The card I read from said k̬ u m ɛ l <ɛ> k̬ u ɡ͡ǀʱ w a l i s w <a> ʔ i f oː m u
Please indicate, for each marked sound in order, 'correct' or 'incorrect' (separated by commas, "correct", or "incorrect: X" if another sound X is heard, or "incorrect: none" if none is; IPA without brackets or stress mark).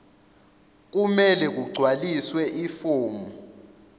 correct, incorrect: ɛ